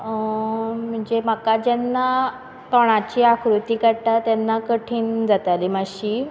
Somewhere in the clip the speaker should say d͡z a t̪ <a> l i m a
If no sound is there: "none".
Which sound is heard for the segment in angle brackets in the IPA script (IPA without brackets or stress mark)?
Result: a